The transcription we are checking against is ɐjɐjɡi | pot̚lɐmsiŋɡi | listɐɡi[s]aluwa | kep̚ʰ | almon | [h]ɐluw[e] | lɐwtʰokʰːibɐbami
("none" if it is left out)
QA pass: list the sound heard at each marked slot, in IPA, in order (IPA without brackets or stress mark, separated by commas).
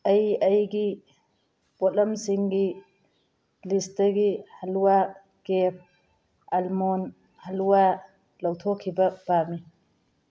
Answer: h, h, a